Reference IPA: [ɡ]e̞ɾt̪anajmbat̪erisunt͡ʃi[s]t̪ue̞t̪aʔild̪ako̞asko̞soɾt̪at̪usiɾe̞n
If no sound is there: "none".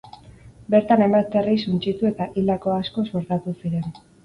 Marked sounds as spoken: b, none

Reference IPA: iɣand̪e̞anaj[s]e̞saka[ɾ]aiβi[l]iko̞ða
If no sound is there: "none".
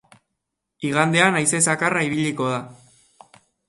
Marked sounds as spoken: s, r, ʎ

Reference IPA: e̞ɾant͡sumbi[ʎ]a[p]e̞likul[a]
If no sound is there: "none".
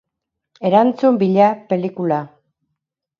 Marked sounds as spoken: ʎ, p, a

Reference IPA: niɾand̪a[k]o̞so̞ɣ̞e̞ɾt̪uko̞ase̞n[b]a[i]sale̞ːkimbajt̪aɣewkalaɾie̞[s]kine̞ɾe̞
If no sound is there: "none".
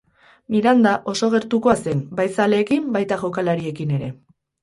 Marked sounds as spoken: ʔ, b, j, none

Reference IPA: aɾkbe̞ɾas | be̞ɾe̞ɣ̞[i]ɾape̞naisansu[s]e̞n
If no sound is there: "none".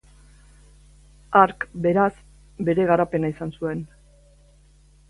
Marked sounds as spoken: a, none

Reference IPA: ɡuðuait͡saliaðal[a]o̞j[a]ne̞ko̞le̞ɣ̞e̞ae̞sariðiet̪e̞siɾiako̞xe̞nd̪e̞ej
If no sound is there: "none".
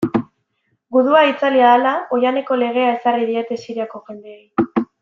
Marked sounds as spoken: a, a

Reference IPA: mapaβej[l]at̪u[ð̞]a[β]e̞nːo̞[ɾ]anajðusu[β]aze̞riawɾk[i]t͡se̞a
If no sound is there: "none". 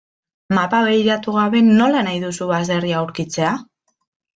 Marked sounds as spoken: ɾ, ɣ̞, β, l, β, i

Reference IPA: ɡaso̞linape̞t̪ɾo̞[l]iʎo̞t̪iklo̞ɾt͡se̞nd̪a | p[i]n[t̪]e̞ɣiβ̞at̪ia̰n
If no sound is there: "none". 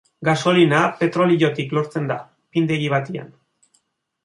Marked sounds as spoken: l, i, d̪

